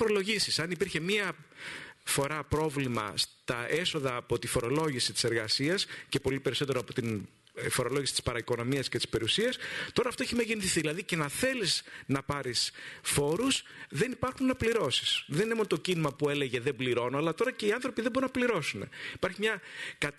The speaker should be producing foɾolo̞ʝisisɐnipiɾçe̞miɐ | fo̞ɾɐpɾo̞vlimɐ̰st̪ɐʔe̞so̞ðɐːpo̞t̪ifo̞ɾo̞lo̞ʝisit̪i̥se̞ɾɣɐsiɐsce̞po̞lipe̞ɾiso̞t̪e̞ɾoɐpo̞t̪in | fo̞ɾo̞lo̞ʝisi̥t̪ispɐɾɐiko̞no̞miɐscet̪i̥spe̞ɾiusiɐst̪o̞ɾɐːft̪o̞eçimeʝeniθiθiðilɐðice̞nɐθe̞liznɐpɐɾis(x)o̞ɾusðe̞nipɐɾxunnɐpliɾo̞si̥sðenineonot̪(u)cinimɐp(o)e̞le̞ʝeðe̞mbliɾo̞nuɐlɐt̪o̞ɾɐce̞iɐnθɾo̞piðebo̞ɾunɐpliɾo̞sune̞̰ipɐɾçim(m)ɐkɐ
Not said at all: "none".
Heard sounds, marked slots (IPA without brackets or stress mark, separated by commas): f, o, u, ɲ